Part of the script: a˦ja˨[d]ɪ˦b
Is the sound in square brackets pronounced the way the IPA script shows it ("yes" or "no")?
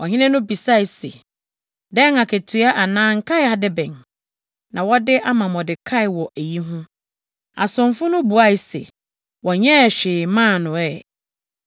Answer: yes